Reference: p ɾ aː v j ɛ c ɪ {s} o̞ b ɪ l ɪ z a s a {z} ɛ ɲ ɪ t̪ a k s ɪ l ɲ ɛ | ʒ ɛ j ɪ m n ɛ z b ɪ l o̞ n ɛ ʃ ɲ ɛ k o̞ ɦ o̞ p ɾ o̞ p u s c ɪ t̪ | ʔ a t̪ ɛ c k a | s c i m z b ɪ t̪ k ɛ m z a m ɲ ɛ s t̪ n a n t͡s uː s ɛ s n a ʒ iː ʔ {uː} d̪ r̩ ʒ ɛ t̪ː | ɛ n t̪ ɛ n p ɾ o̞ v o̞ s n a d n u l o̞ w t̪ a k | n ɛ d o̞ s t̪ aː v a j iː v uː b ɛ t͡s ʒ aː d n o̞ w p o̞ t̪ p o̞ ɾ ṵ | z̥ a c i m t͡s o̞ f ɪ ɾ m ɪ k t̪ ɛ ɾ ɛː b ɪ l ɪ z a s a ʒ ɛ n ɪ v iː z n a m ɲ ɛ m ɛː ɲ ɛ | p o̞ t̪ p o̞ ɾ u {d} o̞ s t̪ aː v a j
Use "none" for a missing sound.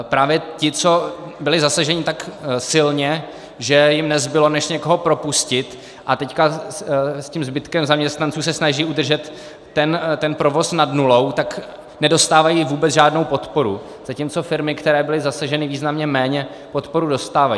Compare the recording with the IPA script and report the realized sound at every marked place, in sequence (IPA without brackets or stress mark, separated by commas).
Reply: t͡s, ʒ, u, d